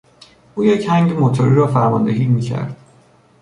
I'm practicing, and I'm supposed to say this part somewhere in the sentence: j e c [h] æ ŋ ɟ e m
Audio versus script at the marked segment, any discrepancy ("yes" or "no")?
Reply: no